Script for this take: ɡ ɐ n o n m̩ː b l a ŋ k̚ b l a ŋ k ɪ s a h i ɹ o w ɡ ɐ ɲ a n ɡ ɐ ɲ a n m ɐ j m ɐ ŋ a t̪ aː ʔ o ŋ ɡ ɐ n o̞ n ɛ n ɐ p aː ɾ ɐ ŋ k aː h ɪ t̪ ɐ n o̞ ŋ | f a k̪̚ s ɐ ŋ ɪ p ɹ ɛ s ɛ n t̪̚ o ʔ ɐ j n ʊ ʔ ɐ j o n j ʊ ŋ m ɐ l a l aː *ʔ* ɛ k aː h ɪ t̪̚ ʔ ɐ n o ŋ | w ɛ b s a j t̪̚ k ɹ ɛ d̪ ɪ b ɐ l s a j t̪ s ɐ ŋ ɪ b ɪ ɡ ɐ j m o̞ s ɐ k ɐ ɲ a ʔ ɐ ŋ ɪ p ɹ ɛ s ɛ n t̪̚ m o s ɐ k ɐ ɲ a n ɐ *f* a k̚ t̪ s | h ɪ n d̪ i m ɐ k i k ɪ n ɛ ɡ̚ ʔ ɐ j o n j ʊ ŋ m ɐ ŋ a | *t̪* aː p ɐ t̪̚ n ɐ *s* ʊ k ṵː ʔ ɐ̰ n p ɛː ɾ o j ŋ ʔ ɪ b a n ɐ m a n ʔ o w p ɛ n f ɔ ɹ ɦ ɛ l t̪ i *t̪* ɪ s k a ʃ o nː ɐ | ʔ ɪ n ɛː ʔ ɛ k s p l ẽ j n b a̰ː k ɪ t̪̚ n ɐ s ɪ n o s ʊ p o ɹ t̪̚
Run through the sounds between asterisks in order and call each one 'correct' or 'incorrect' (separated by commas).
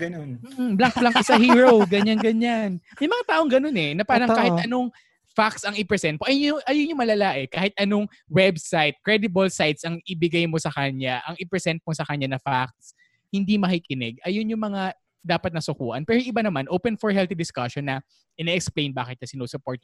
correct, correct, incorrect, correct, incorrect